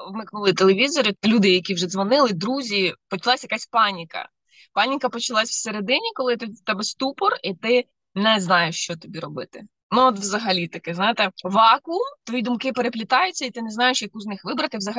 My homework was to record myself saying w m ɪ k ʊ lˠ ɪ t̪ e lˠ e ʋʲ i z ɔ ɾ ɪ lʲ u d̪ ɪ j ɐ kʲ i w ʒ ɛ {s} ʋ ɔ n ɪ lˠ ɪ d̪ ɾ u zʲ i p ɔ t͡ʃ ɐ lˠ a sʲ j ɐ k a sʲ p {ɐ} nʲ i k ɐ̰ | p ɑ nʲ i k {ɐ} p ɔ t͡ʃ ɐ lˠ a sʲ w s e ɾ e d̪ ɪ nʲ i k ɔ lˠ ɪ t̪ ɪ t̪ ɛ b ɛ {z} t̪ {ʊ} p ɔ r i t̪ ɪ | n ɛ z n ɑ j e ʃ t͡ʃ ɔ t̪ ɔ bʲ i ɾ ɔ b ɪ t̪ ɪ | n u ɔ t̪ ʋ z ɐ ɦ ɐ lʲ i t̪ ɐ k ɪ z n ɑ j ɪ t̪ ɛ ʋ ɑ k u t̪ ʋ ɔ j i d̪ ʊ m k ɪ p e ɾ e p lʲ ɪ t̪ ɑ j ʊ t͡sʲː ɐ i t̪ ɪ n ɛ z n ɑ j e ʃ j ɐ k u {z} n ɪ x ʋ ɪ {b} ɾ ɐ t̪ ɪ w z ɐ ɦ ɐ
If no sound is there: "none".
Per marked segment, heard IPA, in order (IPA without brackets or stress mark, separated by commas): z, ɑ, ɐ, s, u, z, b